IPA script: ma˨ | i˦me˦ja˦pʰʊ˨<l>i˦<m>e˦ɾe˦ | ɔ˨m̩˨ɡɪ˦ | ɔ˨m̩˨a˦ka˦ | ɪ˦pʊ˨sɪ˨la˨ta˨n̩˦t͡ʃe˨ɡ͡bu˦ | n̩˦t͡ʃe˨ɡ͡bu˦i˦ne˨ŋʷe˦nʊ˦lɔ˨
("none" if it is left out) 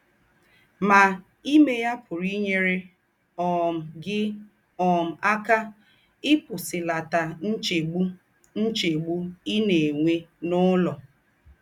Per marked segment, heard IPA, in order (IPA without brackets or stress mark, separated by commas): ɾ, ɲ